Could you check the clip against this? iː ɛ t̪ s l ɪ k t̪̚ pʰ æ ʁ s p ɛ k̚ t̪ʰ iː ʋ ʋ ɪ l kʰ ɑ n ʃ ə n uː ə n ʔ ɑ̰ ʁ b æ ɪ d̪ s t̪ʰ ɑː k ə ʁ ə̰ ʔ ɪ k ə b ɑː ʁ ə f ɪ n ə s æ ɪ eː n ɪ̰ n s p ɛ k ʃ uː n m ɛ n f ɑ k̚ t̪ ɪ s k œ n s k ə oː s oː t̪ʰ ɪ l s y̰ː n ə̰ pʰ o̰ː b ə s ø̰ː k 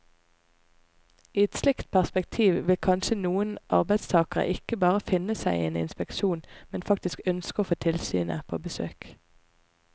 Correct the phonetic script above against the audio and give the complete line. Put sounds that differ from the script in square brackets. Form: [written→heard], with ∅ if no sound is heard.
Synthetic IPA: iː ɛ t̪ s l ɪ k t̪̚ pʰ æ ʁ s p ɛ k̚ t̪ʰ iː ʋ ʋ ɪ l kʰ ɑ n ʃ ə n uː ə n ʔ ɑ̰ ʁ b æ ɪ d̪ s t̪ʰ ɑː k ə ʁ ə̰ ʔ ɪ k ə b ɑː ʁ ə f ɪ n ə s æ ɪ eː n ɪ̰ n s p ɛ k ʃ uː n m ɛ n f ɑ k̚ t̪ ɪ s k œ n s k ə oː [s→f] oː t̪ʰ ɪ l s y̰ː n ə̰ pʰ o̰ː b ə s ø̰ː k